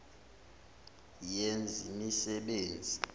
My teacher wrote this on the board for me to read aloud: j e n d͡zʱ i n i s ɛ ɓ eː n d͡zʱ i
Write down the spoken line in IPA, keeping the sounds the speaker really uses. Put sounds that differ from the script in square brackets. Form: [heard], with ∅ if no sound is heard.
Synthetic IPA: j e n d͡zʱ i [m] i s ɛ ɓ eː n d͡zʱ i